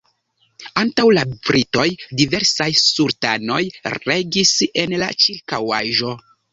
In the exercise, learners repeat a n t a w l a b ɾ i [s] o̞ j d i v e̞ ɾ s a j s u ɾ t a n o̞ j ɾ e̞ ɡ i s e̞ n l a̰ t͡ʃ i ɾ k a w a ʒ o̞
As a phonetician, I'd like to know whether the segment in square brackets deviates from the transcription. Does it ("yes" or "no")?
yes